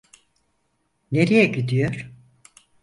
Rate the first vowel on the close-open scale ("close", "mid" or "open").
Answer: mid